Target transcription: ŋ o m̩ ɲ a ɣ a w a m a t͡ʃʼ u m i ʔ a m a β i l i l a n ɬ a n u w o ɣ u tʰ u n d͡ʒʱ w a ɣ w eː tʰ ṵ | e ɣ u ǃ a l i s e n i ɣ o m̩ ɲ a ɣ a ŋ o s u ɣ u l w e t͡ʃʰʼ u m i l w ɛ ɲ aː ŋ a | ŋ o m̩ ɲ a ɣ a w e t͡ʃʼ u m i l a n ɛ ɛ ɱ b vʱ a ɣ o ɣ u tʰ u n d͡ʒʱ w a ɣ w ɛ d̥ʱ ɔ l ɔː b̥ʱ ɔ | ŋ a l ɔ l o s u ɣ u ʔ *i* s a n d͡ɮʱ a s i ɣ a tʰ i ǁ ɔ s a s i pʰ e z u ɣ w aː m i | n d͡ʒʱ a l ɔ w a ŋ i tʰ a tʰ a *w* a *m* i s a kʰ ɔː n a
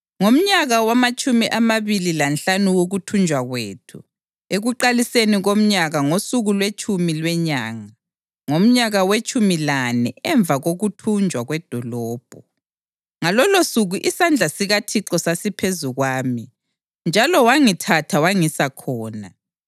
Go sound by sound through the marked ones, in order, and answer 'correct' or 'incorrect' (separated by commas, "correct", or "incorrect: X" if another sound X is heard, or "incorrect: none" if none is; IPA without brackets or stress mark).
correct, correct, incorrect: ŋ